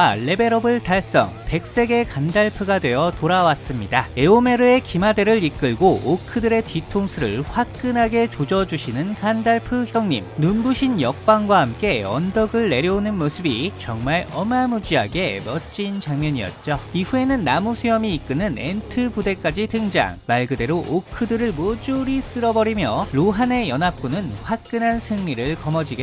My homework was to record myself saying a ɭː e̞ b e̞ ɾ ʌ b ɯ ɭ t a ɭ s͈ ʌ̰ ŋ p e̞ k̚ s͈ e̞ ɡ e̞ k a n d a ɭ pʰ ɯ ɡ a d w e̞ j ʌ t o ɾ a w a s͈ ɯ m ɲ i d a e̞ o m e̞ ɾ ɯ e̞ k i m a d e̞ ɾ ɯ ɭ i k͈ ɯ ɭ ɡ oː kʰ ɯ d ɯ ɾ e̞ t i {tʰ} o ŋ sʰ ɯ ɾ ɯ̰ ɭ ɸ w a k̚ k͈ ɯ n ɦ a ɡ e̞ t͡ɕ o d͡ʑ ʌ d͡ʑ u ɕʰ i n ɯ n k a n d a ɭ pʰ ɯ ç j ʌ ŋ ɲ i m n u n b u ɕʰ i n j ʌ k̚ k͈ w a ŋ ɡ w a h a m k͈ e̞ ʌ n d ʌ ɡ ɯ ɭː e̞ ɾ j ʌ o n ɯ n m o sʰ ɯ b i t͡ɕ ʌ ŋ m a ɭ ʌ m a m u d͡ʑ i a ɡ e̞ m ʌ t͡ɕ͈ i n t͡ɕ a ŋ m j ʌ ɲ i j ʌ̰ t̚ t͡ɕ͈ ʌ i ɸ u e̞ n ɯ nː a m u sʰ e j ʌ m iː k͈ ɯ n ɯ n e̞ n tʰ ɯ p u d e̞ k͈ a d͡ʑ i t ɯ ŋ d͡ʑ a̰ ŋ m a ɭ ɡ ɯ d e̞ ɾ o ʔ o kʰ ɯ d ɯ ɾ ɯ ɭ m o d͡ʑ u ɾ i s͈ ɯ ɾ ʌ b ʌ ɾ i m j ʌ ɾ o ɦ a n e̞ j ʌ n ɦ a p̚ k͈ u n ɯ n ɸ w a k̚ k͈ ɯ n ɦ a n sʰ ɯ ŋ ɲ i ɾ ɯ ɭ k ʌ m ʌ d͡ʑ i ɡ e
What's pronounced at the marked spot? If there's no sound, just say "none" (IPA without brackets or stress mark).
tʰ